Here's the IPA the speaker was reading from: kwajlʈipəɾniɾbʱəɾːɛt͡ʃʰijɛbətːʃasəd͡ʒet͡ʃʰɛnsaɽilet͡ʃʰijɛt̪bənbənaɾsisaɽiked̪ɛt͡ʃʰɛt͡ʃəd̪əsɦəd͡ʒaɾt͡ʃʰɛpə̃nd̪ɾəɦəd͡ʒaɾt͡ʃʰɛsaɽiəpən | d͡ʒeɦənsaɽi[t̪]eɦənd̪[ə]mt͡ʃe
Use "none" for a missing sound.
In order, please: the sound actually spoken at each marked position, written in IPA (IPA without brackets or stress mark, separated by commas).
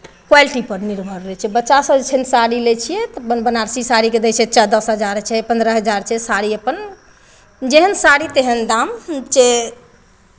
t̪, a